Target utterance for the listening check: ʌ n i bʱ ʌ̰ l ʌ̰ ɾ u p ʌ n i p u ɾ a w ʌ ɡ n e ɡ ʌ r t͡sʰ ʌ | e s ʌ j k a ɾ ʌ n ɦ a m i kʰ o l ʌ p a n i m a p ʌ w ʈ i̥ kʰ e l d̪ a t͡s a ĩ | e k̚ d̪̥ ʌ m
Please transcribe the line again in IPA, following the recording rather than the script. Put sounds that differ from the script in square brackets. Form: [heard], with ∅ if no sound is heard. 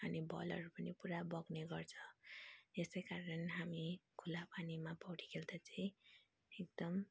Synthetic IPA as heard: ʌ n i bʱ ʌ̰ l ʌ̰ ɾ u p ʌ n i p u ɾ a [b] ʌ ɡ n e ɡ ʌ r t͡sʰ ʌ | e s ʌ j k a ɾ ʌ n ɦ a m i kʰ [u] l [a] p a n i m a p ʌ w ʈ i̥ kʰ e l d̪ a t͡s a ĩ | e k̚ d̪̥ ʌ m